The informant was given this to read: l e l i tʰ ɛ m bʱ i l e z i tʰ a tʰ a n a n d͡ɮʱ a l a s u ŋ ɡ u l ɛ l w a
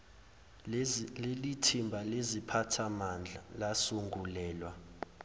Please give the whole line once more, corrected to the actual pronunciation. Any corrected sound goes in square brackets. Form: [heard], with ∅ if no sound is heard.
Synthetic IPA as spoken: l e l i tʰ [i] m bʱ [a] l e z i [pʰ] a tʰ a [m] a n d͡ɮʱ a l a s u ŋ ɡ u l [ɛː] l w a